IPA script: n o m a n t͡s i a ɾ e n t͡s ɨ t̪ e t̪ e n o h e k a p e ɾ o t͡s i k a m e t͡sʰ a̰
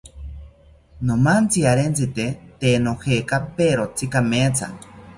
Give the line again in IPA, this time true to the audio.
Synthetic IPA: n o m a n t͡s i a ɾ e n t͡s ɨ t̪ e t̪ e n o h e k a p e ɾ o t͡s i k a m e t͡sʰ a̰